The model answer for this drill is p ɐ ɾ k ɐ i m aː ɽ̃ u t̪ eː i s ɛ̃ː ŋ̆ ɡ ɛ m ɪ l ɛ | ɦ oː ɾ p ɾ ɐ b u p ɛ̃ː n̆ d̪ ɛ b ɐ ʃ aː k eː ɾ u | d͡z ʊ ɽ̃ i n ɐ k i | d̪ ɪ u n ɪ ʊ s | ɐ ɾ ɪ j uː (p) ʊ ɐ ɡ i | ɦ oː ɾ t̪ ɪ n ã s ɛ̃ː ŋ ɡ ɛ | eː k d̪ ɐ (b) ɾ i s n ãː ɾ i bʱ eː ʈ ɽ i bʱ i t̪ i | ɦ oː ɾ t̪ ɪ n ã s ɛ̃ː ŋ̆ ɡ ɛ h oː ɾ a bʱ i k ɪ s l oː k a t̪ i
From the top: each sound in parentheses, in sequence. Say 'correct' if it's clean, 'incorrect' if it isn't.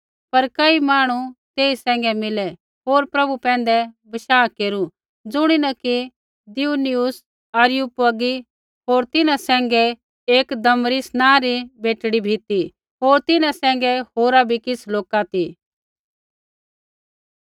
correct, incorrect

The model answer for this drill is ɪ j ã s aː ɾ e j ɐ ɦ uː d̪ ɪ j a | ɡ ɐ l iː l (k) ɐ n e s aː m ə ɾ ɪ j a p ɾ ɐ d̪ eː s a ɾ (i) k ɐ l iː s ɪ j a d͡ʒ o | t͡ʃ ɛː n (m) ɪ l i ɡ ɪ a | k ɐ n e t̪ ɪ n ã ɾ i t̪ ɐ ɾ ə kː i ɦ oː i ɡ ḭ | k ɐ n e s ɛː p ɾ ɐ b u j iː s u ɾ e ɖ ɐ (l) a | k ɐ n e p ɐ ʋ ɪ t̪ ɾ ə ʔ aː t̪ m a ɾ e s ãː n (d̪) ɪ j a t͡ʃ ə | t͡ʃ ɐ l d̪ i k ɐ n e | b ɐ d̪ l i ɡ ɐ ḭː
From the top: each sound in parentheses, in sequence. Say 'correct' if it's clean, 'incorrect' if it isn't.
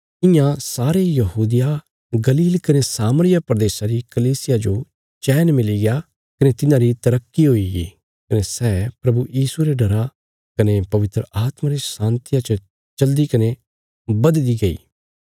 correct, correct, correct, incorrect, incorrect

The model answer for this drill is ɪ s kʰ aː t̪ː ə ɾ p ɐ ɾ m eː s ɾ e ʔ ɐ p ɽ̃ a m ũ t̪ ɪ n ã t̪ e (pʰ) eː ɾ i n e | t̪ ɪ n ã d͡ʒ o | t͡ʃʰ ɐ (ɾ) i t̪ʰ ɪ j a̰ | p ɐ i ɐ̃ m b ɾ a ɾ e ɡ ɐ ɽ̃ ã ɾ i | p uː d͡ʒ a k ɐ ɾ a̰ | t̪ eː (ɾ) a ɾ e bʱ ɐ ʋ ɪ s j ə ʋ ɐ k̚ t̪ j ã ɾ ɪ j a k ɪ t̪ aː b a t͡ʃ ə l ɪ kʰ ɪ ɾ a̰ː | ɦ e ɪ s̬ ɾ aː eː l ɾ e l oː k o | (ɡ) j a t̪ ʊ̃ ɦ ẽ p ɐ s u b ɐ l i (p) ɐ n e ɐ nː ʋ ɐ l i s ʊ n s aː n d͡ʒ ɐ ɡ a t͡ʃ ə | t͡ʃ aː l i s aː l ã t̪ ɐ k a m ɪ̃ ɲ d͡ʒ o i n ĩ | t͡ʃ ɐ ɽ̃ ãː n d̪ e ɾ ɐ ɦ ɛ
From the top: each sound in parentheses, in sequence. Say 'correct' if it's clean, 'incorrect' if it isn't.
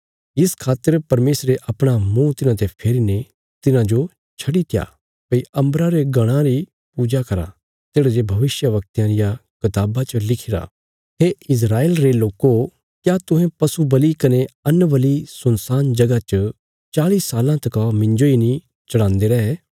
correct, incorrect, incorrect, incorrect, incorrect

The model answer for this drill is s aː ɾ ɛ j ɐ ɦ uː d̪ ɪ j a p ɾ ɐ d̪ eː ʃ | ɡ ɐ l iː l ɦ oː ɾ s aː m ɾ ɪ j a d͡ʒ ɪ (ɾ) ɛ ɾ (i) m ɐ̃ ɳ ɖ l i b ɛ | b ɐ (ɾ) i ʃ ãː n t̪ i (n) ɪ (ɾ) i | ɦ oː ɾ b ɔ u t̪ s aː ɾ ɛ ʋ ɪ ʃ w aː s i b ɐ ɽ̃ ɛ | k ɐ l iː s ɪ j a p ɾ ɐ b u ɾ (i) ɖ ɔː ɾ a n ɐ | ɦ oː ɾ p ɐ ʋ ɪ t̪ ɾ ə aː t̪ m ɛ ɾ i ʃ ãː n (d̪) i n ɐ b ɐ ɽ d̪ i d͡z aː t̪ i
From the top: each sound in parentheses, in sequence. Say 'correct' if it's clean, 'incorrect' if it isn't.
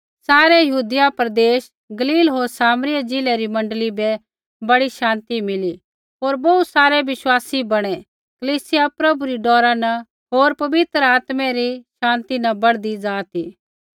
incorrect, correct, incorrect, incorrect, incorrect, correct, incorrect

